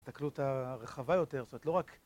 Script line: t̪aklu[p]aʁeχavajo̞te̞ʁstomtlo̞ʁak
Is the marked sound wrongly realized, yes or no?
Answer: yes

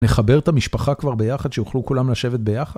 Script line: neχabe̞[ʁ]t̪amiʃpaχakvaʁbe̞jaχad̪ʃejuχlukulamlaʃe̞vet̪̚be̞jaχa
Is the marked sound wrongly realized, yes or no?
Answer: no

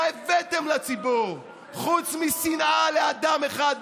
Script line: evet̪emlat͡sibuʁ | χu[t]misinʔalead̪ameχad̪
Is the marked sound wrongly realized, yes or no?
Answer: yes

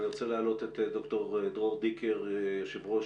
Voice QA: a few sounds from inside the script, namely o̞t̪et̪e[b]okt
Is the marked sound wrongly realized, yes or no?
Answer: yes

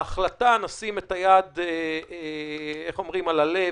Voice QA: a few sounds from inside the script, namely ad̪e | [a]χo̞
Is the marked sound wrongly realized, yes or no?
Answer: yes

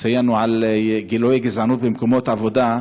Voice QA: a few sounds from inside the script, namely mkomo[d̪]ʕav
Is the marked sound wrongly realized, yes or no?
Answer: yes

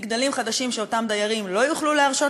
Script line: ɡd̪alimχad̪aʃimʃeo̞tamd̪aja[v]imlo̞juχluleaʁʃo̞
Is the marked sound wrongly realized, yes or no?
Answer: yes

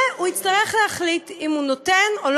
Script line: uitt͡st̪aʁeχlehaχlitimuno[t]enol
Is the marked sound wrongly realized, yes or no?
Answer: no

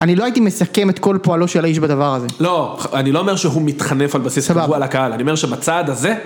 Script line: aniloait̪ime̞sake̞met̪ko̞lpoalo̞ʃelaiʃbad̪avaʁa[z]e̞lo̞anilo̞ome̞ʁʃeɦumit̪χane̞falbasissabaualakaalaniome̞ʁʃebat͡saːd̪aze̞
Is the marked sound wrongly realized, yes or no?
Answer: no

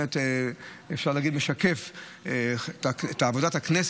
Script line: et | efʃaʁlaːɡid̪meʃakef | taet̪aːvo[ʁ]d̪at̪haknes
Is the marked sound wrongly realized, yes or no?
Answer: yes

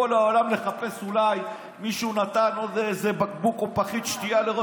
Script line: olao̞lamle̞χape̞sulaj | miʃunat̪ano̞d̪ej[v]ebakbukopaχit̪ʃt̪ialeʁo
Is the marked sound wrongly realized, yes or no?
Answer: yes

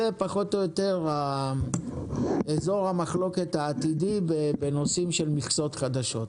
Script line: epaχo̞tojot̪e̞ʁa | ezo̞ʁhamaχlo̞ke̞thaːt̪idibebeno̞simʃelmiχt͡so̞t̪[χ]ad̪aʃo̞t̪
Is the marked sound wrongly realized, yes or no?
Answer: no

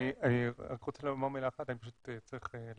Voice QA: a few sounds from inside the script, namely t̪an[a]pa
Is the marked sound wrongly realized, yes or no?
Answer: yes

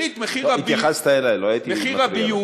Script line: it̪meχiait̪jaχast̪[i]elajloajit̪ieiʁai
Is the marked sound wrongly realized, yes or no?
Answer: yes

